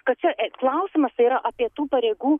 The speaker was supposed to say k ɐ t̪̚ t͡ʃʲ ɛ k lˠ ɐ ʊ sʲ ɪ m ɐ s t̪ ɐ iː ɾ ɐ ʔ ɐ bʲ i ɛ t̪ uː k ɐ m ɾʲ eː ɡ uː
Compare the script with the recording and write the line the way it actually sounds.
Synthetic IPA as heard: k ɐ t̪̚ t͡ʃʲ ɛ k lˠ ɐ ʊ sʲ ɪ m ɐ s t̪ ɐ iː ɾ ɐ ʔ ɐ pʲ i ɛ t̪ uː p ɐ ɾʲ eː ɡ uː